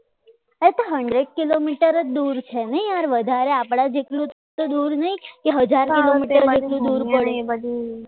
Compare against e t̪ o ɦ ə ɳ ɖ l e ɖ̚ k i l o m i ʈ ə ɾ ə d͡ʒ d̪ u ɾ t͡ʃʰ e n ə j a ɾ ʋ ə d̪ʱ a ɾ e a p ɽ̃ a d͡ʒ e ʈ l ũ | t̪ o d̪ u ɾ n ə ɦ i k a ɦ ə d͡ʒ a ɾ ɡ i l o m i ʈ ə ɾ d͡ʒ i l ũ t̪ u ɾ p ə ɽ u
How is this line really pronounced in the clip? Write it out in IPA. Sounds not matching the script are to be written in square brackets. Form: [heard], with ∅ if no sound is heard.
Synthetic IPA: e t̪ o ɦ ə ɳ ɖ [ɾ] e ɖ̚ k i l o m i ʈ ə ɾ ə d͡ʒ d̪ u ɾ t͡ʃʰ e n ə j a ɾ ʋ ə d̪ʱ a ɾ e a p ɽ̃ a d͡ʒ e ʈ l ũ | t̪ o d̪ u ɾ n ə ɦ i k [e] ɦ ə d͡ʒ a ɾ [k] i l o m i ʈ ə ɾ d͡ʒ [e] l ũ [d̪] u ɾ p ə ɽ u